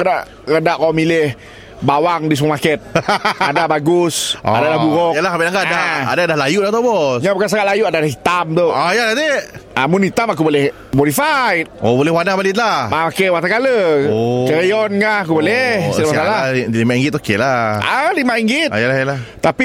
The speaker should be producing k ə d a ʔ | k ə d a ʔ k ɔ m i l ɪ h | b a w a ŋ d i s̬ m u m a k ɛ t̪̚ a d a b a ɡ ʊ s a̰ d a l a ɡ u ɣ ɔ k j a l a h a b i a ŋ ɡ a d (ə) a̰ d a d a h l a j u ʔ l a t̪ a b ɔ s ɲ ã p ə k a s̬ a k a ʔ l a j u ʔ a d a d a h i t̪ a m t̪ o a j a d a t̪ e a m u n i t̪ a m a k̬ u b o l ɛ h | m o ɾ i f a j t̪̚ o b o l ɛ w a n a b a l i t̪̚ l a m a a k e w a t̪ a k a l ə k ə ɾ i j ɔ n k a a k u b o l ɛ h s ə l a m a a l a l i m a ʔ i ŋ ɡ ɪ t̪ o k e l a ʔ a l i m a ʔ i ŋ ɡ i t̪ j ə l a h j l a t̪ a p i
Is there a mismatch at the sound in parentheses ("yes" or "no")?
yes